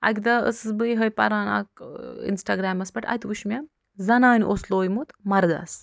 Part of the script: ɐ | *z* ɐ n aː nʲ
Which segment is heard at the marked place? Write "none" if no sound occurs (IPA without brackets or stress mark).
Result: z